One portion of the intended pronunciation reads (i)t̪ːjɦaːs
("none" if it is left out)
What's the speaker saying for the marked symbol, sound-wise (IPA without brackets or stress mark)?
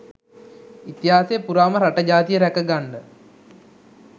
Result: i